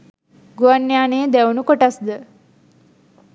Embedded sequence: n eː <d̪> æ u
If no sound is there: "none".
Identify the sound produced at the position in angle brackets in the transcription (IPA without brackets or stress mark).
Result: d̪